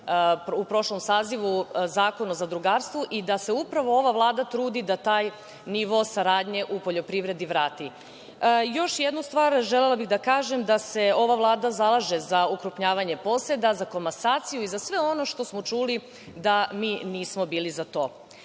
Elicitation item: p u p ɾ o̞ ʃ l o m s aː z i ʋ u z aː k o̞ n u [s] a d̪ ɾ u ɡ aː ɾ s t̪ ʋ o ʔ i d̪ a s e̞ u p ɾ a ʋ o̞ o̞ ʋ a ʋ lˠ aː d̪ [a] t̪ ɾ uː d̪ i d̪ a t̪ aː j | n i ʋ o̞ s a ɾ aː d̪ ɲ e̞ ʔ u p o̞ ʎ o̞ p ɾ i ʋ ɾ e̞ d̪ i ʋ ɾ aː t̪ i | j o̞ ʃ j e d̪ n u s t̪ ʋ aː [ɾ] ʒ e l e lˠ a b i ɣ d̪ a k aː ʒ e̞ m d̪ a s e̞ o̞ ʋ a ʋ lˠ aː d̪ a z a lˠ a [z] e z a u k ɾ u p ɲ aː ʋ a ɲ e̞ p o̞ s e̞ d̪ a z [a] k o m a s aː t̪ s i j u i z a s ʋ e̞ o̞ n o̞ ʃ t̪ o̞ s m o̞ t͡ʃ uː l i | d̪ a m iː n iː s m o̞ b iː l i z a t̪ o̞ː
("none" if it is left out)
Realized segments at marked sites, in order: z, a, ɾ, ʒ, a

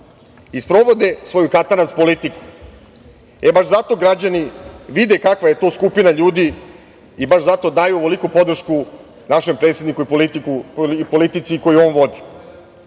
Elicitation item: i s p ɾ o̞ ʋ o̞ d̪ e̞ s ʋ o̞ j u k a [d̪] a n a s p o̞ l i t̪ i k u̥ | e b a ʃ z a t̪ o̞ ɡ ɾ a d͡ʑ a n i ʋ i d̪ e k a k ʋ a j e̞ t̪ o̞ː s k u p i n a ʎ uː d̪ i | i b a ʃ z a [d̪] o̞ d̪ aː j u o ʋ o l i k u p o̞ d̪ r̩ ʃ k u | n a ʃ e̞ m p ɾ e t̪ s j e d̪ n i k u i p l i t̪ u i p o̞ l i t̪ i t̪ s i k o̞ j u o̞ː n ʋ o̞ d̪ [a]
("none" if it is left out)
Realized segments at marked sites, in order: t̪, t̪, i

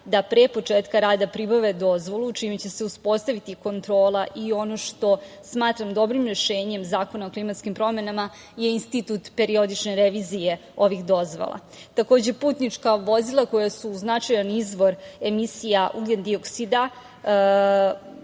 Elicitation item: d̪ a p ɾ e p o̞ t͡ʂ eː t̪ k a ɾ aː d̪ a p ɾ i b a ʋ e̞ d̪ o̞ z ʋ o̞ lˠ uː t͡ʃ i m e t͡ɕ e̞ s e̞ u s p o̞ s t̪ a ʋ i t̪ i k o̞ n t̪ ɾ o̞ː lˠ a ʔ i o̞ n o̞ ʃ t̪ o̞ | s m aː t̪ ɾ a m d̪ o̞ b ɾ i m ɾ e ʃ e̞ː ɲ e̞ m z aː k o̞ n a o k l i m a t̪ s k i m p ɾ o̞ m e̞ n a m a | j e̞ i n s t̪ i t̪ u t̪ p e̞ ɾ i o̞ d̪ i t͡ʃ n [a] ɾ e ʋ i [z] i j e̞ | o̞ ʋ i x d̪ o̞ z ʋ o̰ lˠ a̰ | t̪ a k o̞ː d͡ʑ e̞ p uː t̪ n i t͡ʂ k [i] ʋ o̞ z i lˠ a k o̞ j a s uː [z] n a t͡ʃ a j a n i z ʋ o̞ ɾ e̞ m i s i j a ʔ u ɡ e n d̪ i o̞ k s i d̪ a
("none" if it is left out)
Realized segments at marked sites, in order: e, z, a, z

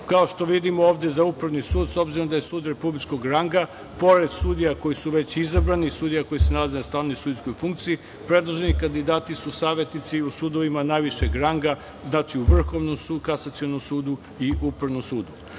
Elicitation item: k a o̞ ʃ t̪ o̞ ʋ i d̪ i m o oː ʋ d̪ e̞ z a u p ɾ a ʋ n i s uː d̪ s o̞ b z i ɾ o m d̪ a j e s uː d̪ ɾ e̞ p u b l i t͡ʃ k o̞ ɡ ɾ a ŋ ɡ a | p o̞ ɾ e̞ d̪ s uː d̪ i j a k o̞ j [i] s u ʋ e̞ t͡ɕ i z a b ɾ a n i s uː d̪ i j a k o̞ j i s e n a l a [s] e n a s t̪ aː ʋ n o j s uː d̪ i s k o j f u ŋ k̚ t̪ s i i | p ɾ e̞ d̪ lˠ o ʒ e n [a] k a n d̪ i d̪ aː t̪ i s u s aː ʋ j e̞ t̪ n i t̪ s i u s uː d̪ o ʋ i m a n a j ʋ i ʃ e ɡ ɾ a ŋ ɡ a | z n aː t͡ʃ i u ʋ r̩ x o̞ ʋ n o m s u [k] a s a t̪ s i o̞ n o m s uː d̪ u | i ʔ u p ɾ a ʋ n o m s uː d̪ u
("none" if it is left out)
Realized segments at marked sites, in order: i, z, i, k

